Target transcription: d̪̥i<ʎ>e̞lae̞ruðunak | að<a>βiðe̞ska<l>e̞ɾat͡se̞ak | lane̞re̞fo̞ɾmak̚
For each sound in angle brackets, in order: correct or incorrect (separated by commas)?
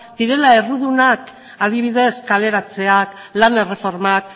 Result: incorrect, incorrect, correct